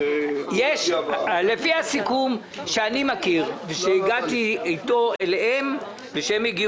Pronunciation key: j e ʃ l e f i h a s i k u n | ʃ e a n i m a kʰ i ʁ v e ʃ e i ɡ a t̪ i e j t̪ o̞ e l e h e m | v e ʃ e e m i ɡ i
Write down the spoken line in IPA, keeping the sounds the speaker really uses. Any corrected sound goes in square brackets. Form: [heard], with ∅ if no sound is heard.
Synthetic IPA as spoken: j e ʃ l e f i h a s i k u [m] | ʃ e a n i m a [k] i ʁ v e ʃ e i ɡ a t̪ i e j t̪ o̞ e l e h e m | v e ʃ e e m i ɡ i